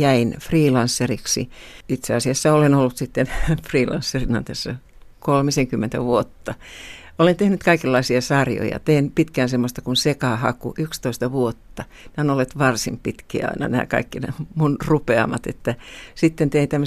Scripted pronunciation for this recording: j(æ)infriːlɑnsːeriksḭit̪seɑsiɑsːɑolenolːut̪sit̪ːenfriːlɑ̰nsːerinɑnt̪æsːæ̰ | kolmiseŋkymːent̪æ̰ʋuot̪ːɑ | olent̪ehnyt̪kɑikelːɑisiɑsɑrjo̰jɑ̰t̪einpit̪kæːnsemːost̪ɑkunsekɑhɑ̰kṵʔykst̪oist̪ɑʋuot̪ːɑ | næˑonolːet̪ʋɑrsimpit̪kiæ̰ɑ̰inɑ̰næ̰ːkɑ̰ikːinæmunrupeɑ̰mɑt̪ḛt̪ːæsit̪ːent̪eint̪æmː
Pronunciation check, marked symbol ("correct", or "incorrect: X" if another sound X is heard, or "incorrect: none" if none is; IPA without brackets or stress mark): correct